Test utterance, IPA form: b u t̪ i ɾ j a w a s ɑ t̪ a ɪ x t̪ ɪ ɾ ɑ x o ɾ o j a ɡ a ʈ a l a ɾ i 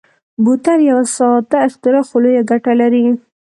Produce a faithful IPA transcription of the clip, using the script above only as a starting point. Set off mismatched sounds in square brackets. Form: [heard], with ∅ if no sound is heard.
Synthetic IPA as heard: b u t̪ [a] ɾ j a w a s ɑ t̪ a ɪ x t̪ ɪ ɾ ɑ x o [l] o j a ɡ a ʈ a l a ɾ i